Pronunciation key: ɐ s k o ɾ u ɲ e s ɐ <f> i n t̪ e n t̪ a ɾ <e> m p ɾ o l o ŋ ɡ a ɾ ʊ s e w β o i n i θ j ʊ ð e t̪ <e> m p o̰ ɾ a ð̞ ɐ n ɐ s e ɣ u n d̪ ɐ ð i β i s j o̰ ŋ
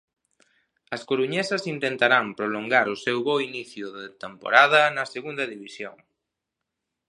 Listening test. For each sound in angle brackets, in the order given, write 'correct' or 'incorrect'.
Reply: incorrect: s, incorrect: a, correct

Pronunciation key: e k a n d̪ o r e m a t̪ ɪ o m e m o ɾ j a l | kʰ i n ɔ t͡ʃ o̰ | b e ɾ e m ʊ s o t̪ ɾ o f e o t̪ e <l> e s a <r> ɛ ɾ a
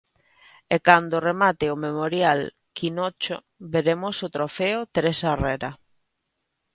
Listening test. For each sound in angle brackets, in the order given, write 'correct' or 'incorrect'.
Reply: incorrect: ɾ, correct

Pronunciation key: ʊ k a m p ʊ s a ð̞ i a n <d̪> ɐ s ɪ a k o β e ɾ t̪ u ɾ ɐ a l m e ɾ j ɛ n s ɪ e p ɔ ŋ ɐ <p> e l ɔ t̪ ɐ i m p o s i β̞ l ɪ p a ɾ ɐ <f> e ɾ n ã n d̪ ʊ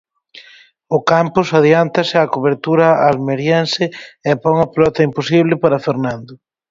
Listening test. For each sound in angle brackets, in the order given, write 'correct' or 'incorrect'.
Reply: incorrect: t̪, correct, correct

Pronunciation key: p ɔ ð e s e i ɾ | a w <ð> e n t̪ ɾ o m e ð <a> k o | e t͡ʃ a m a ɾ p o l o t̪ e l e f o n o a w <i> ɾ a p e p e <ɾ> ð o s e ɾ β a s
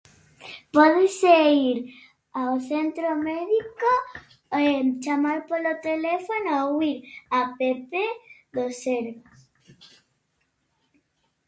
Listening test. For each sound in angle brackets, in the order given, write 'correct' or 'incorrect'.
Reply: incorrect: θ, incorrect: i, correct, incorrect: none

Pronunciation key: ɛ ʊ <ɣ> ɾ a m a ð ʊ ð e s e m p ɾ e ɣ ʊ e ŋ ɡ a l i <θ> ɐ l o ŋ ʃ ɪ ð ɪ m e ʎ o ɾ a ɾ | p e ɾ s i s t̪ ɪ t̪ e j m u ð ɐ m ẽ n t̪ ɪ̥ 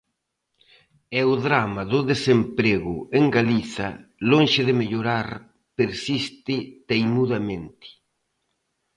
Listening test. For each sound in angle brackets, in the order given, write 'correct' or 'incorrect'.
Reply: incorrect: ð, correct

